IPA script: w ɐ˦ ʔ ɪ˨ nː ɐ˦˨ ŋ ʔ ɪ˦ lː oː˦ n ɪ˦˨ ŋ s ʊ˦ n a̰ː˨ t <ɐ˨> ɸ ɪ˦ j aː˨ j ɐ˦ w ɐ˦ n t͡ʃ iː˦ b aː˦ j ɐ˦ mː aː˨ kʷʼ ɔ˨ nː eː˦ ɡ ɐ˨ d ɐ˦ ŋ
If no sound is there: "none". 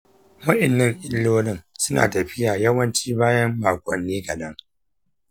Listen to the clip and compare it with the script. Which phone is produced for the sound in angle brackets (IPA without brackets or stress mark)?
ɐ˨